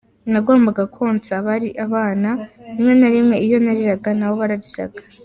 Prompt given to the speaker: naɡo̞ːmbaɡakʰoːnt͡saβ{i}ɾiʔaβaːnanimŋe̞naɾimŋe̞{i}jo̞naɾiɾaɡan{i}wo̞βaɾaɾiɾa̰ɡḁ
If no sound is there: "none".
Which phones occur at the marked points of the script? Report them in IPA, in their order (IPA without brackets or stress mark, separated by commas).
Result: a, i, a